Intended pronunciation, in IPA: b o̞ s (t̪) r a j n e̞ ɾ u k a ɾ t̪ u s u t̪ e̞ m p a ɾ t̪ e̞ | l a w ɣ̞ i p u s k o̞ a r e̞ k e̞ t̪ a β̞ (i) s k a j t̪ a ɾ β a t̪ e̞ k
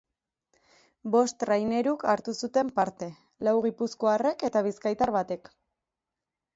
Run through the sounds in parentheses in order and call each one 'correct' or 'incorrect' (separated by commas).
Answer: correct, correct